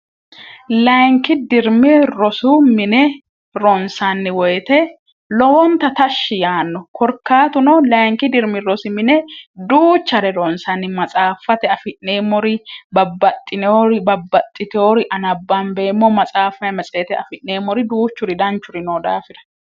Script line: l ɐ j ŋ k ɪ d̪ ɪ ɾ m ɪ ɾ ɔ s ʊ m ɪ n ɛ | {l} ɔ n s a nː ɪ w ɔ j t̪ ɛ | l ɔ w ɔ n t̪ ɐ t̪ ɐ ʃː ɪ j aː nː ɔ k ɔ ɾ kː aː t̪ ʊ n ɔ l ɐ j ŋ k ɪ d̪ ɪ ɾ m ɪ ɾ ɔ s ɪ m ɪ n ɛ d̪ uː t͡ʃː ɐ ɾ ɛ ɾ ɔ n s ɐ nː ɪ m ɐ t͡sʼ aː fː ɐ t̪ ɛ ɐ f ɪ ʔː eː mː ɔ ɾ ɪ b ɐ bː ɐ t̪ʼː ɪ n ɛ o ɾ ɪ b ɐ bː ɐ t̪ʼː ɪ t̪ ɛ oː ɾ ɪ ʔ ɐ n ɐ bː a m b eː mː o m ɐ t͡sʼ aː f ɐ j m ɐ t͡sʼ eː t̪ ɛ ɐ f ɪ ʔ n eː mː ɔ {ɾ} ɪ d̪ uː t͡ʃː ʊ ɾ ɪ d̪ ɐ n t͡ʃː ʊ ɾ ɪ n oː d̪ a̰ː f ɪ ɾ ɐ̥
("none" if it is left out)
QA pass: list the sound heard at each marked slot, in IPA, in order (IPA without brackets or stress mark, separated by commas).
ɾ, ɾ